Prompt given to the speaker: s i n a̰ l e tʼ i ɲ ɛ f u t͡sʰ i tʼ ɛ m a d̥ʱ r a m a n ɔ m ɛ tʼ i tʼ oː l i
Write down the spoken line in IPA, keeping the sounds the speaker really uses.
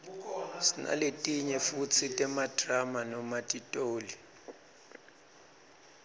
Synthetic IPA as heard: s i n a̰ l e tʼ i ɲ ɛ f u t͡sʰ i tʼ ɛ m a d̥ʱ r a m a n ɔ m a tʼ i tʼ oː l i